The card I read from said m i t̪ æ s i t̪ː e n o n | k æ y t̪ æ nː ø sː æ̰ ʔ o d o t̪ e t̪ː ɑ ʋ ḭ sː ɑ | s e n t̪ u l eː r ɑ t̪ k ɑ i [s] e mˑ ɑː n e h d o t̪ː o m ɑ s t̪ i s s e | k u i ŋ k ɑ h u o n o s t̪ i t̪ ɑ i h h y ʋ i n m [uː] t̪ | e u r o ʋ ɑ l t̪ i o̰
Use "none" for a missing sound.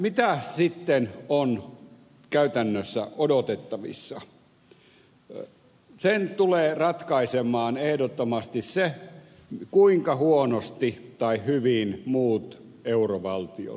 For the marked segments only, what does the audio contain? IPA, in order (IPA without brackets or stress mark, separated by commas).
s, uː